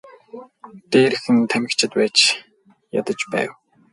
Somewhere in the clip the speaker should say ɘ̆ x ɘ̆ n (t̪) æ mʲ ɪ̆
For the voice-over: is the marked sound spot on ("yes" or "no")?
no